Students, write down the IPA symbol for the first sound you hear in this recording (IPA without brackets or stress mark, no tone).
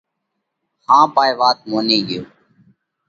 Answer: h